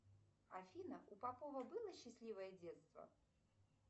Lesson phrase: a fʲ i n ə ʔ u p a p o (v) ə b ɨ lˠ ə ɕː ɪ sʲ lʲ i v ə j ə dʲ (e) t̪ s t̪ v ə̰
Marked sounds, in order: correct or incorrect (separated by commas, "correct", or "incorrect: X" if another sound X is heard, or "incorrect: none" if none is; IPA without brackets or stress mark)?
correct, correct